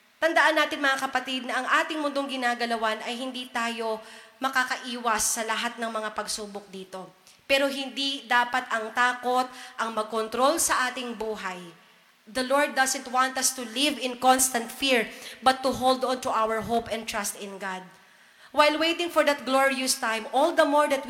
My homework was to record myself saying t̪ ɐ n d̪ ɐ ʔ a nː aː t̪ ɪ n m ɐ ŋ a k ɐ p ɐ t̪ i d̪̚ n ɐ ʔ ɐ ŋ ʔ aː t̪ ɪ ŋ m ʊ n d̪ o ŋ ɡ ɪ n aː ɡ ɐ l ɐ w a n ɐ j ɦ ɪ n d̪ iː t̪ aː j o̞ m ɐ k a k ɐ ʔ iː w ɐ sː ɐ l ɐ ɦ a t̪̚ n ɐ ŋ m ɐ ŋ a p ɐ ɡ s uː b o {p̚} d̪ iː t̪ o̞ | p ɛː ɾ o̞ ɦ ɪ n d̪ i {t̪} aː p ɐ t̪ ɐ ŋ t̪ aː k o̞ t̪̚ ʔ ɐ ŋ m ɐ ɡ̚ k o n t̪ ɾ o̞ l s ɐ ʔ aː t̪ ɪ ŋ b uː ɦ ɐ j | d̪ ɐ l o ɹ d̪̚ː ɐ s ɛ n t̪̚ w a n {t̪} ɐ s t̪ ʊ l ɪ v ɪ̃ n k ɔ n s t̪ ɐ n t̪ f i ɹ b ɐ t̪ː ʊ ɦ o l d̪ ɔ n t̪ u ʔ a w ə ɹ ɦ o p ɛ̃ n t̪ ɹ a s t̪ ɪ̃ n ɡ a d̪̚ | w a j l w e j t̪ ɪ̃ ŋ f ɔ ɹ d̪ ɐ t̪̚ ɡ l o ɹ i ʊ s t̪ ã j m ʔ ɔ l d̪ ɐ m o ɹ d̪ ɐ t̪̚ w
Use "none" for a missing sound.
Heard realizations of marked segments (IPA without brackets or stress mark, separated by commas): k̚, d̪, t̪